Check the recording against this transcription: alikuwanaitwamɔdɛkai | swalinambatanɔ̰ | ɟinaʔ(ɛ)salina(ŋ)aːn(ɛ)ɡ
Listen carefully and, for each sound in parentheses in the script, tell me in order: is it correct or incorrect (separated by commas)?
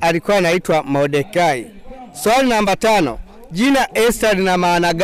correct, incorrect, incorrect